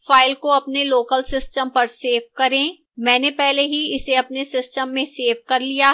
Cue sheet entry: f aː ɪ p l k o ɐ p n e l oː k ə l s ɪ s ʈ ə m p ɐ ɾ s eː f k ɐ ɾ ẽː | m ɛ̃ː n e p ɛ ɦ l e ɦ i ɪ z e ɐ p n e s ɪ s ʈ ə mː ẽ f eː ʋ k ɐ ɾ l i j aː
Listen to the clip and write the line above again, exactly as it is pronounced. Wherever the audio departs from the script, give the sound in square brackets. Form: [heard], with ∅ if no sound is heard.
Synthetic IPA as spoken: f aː ɪ [∅] l k o ɐ p n e l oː k ə l s ɪ s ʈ ə m p ɐ ɾ s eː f k ɐ ɾ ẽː | m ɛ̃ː n e p ɛ ɦ l e ɦ i ɪ [s] e ɐ p n e s ɪ s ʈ ə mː ẽ [s] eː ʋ k ɐ ɾ l i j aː